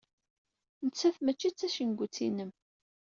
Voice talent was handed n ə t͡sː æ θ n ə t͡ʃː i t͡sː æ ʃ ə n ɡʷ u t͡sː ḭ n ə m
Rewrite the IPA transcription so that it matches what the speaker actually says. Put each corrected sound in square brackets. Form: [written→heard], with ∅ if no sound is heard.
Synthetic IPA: n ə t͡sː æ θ [n→m] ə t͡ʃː i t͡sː æ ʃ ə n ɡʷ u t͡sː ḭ n ə m